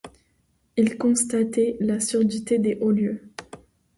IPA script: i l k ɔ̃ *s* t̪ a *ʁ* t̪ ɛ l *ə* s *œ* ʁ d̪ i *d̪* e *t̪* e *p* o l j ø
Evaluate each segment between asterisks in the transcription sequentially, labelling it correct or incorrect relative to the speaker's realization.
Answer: correct, incorrect: none, incorrect: a, incorrect: y, incorrect: t̪, incorrect: d̪, incorrect: ʔ

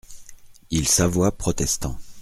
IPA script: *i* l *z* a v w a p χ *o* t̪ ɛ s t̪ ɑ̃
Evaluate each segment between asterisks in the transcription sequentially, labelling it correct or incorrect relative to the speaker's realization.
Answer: correct, incorrect: s, incorrect: ɔ

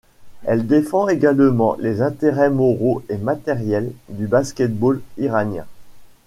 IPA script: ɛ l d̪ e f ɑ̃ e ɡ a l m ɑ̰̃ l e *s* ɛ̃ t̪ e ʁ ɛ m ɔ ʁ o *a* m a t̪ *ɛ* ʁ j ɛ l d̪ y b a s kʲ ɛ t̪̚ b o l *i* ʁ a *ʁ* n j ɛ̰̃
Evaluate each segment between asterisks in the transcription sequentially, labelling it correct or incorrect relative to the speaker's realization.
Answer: incorrect: z, incorrect: e, correct, correct, incorrect: none

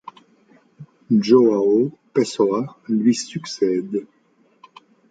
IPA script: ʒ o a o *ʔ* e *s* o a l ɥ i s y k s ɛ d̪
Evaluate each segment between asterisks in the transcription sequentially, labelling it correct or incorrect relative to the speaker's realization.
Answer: incorrect: p, correct

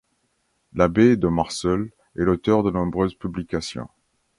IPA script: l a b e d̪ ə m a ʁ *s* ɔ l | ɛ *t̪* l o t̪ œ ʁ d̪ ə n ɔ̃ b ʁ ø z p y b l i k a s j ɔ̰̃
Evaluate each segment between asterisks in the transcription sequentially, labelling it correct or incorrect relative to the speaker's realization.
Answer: correct, incorrect: none

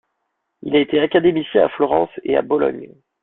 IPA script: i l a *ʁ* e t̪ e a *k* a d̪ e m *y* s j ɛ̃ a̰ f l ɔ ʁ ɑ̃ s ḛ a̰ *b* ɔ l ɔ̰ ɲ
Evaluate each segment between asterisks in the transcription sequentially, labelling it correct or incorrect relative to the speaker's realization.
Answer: incorrect: none, correct, incorrect: i, correct

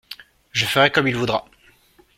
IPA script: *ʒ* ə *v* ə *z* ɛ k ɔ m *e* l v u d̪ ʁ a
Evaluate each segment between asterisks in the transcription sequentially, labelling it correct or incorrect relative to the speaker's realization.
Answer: correct, incorrect: f, incorrect: ʁ, incorrect: i

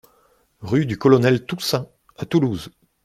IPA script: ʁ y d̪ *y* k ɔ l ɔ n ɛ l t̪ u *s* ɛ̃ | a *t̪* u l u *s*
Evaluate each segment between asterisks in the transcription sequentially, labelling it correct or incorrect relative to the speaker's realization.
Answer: correct, correct, correct, incorrect: z

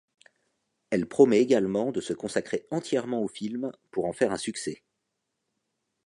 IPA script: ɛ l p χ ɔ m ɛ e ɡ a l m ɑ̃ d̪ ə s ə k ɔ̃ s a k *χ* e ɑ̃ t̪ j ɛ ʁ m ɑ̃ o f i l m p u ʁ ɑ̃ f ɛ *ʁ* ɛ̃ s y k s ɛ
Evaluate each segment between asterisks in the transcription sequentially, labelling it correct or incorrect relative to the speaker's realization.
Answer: correct, correct

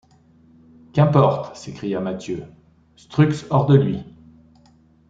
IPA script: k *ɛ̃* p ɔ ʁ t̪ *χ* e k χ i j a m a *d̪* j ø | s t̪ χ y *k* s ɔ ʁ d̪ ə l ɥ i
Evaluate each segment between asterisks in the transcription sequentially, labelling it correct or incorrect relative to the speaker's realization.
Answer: correct, incorrect: s, incorrect: t̪, correct

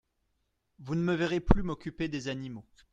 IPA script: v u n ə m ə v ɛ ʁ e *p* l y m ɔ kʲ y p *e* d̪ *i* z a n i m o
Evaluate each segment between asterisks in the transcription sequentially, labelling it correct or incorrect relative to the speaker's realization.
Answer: correct, correct, incorrect: e

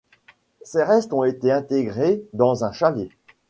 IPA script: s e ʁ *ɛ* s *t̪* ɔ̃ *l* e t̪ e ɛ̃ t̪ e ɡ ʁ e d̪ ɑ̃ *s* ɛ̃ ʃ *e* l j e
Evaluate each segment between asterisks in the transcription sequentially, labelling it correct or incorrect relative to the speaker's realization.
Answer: correct, correct, incorrect: none, incorrect: z, incorrect: a

